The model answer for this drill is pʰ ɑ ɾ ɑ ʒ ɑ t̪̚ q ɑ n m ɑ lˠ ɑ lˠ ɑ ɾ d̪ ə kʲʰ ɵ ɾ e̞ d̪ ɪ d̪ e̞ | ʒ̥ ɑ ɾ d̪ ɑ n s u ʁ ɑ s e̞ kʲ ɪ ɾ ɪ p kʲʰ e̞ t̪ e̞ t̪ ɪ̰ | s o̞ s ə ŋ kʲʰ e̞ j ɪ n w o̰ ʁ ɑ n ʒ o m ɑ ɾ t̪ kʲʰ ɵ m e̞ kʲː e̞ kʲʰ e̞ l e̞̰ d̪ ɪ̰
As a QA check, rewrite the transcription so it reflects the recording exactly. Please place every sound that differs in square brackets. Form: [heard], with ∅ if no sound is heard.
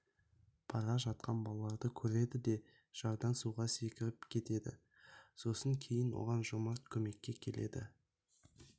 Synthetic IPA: pʰ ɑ ɾ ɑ ʒ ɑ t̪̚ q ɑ n [b] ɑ lˠ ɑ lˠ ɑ ɾ d̪ ə kʲʰ ɵ ɾ e̞ d̪ ɪ d̪ e̞ | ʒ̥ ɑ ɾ d̪ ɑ n s u ʁ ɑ s e̞ kʲ ɪ ɾ ɪ p kʲʰ e̞ t̪ e̞ [d̪] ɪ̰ | s o̞ s ə ŋ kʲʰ e̞ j ɪ n w o̰ ʁ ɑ n ʒ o m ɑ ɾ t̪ kʲʰ ɵ m e̞ kʲː e̞ kʲʰ e̞ l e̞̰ d̪ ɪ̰